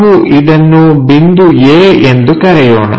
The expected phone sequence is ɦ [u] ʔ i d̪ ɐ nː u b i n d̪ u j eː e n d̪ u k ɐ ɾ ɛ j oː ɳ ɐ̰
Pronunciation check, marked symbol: correct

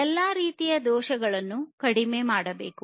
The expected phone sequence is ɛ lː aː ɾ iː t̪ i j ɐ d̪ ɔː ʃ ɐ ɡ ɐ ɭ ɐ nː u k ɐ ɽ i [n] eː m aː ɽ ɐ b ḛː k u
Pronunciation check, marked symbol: incorrect: m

